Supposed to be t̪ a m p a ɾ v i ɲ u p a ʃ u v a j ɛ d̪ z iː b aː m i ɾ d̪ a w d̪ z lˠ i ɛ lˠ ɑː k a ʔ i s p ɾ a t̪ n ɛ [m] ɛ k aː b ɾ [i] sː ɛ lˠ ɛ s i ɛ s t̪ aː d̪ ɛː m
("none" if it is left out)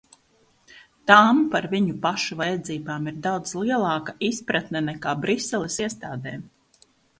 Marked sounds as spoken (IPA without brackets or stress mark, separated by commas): n, i